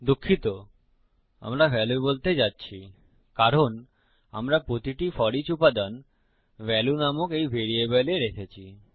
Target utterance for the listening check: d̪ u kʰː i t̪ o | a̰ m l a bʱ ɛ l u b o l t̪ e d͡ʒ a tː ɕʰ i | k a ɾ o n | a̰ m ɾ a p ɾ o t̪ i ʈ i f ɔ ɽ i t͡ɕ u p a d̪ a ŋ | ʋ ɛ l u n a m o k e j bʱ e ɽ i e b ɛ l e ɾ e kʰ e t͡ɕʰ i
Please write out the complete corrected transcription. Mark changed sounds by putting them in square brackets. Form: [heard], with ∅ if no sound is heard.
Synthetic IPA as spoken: d̪ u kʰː i t̪ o | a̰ m [ɾ] a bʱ ɛ l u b o l t̪ e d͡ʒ a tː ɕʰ i | k a ɾ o n | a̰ m ɾ a p ɾ o t̪ i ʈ i f ɔ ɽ i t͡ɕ u p a d̪ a [n] | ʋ ɛ l u n a m o k e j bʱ e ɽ i e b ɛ l e ɾ e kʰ e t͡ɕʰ i